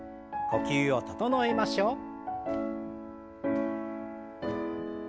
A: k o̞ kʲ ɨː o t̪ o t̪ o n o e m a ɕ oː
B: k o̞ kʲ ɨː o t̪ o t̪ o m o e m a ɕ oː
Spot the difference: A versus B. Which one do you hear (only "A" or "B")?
A